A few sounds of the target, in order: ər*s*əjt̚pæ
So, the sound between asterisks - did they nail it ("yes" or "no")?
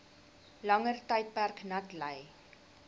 no